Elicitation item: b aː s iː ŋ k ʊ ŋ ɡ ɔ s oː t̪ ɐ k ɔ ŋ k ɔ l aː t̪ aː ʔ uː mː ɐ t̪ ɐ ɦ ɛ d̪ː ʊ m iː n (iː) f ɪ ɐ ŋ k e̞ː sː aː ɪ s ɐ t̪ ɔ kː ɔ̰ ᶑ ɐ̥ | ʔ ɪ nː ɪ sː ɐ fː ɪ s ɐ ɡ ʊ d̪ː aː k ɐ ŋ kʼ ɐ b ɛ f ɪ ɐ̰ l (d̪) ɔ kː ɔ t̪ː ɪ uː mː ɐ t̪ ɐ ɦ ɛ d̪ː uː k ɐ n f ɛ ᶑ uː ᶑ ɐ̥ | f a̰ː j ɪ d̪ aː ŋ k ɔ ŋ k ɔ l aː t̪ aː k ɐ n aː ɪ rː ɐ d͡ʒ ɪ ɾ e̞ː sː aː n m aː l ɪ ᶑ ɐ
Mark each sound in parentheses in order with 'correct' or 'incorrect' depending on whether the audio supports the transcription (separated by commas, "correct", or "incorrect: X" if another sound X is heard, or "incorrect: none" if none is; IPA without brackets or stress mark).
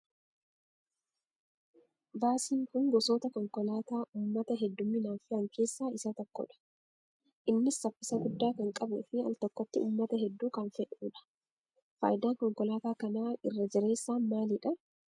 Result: incorrect: aː, incorrect: t̪